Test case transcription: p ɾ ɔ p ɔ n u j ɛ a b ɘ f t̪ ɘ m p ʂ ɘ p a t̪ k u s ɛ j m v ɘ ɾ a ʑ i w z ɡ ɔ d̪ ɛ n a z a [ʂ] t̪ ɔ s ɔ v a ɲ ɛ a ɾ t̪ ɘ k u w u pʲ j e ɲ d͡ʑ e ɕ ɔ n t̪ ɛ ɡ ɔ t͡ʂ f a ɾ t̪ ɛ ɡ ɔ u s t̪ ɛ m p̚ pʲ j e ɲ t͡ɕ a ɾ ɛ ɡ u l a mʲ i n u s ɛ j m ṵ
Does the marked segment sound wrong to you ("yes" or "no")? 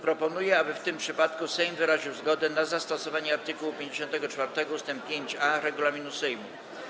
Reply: yes